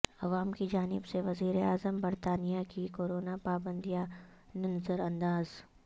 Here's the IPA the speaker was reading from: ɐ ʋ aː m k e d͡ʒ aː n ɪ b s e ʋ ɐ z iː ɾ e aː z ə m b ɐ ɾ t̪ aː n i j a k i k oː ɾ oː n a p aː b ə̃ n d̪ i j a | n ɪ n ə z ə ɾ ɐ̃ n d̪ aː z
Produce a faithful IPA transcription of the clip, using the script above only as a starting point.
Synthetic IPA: ɐ ʋ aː m k i d͡ʒ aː n ɪ b s e ʋ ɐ z iː ɾ e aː z ə m b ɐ ɾ t̪ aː n i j a k i k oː ɾ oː n a p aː b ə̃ n d̪ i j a | n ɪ n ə z ə ɾ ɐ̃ n d̪ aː z